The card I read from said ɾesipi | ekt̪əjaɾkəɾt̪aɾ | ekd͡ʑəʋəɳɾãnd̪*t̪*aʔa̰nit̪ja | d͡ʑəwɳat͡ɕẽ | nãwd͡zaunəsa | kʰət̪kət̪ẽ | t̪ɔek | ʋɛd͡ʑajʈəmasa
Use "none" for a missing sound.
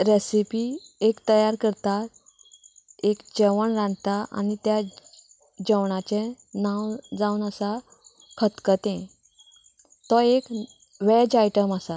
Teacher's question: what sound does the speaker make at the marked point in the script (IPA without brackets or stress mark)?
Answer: t̪